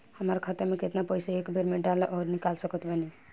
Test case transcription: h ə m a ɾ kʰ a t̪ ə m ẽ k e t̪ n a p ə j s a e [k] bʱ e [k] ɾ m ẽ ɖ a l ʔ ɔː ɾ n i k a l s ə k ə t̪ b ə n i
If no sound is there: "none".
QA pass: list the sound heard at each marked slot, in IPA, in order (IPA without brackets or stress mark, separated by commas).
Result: k, none